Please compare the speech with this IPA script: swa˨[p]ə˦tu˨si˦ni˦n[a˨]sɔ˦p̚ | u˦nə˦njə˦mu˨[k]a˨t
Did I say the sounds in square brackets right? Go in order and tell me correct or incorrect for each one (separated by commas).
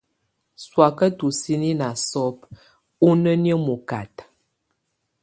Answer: incorrect, correct, correct